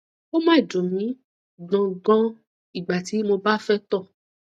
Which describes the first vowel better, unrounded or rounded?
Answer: rounded